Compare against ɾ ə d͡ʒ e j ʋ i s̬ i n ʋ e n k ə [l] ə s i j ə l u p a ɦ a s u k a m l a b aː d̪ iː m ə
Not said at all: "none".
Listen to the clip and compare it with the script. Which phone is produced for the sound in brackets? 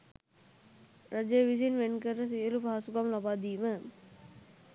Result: ɾ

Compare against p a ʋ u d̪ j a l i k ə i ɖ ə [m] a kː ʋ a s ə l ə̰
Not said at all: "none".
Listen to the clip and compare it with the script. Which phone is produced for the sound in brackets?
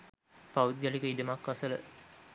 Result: m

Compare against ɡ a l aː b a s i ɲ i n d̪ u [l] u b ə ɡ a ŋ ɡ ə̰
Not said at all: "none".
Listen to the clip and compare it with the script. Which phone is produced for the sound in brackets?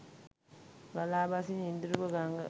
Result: ɾ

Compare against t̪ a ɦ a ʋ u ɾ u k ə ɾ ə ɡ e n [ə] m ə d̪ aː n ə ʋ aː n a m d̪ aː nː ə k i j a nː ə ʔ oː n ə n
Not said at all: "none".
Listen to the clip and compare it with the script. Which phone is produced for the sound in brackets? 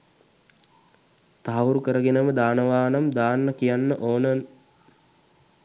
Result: ə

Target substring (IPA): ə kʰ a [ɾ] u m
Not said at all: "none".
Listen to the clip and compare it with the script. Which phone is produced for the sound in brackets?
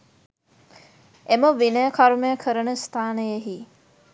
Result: ɾ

